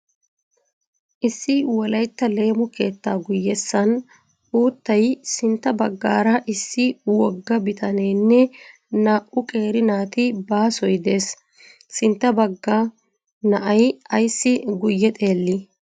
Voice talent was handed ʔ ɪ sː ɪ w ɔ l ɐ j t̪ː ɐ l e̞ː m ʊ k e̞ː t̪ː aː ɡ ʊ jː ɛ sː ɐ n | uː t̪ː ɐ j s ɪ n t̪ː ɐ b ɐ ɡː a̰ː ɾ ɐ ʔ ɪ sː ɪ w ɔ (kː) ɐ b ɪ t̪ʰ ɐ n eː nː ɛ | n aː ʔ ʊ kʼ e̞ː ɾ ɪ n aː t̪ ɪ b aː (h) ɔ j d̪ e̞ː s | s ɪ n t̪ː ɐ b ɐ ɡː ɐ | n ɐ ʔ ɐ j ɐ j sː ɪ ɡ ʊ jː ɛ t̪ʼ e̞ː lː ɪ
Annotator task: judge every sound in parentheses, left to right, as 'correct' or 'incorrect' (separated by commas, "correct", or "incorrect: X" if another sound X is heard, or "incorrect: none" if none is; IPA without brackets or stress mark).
incorrect: ɡː, incorrect: s